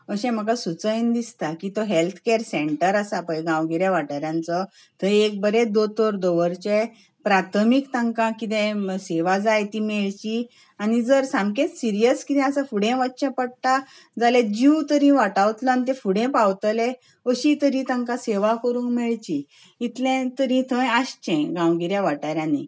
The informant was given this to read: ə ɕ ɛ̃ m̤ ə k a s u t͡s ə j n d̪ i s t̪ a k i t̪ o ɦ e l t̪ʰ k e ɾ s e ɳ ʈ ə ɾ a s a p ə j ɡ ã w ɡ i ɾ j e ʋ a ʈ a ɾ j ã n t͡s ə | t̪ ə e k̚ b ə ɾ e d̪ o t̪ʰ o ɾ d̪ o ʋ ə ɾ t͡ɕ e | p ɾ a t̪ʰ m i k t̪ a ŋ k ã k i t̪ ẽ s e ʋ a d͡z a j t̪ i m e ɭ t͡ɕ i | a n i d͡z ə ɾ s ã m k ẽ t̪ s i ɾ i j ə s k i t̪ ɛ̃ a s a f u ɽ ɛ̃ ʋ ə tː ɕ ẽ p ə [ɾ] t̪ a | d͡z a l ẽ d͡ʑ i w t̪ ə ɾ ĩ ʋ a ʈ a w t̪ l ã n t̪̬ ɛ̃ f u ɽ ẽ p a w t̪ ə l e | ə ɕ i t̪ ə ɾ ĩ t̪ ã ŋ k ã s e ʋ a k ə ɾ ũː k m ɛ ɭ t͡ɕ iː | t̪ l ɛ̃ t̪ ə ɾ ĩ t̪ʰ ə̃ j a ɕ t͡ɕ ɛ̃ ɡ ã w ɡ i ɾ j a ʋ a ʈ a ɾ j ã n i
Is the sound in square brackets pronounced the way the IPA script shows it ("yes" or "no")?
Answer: no